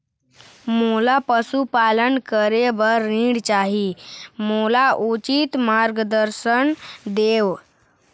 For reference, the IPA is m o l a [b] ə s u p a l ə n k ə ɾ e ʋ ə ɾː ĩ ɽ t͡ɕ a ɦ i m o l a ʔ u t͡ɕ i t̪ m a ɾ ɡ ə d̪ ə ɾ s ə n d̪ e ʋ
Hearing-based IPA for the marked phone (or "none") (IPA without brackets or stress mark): p